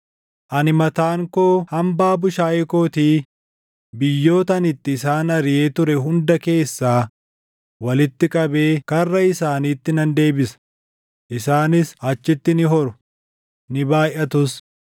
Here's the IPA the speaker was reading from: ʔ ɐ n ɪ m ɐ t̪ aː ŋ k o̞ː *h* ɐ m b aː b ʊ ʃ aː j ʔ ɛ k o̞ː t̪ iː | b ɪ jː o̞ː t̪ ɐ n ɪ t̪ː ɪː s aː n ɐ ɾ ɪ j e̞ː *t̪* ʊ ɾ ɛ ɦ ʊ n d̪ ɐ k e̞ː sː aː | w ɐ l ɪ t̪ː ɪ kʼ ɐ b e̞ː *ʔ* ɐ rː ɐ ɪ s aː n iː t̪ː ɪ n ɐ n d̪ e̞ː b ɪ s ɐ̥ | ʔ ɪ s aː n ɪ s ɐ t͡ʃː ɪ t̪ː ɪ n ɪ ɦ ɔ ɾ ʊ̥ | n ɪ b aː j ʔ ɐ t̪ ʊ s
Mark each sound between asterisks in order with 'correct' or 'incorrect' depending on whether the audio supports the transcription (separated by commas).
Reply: correct, correct, incorrect